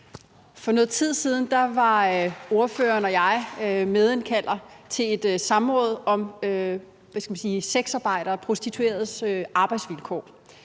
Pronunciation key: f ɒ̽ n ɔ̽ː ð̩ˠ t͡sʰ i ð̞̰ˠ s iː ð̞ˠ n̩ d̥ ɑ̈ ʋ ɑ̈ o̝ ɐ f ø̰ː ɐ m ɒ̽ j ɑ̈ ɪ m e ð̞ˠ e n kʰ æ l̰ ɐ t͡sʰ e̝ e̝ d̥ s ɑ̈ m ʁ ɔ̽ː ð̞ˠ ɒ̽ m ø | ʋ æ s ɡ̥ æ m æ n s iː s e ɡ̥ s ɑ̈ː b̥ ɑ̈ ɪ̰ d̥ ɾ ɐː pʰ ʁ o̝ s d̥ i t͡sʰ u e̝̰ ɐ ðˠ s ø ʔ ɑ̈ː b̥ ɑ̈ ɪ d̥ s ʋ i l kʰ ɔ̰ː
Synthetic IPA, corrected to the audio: f ɒ̽ n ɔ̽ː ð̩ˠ t͡sʰ i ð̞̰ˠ s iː ð̞ˠ n̩ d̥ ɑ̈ ʋ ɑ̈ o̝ ɐ f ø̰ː ɐ n ɒ̽ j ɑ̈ ɪ m e ð̞ˠ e n kʰ æ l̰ ɐ t͡sʰ e̝ e̝ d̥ s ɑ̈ m ʁ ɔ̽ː ð̞ˠ ɒ̽ m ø | ʋ æ s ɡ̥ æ m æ n s iː s e ɡ̥ s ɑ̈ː b̥ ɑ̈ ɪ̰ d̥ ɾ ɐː pʰ ʁ o̝ s d̥ i t͡sʰ u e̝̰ ɐ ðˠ s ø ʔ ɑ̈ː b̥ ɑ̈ ɪ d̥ s ʋ i l kʰ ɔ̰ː